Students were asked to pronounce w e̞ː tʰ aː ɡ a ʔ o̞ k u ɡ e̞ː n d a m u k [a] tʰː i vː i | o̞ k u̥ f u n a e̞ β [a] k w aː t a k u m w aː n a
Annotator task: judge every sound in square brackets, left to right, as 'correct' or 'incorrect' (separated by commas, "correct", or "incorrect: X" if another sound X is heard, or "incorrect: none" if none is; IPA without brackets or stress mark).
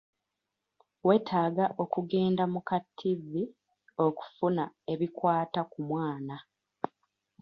correct, incorrect: i